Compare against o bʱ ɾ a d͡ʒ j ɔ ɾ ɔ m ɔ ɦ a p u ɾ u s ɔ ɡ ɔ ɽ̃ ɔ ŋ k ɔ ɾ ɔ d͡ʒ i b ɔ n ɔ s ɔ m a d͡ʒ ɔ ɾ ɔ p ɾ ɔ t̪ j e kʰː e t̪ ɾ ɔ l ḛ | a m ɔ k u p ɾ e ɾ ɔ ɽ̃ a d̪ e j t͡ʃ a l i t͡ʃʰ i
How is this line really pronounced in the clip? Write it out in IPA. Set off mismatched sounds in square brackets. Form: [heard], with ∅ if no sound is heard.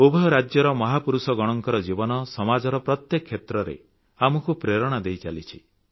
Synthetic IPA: o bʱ ɾ a d͡ʒ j ɔ ɾ ɔ m ɔ ɦ a p u ɾ u s ɔ ɡ ɔ ɽ̃ ɔ ŋ k ɔ ɾ ɔ d͡ʒ i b ɔ n ɔ s ɔ m a d͡ʒ ɔ ɾ ɔ p ɾ ɔ t̪ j e kʰː e t̪ ɾ ɔ [ɾ] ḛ | a m ɔ k u p ɾ e ɾ ɔ ɽ̃ a d̪ e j t͡ʃ a l i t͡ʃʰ i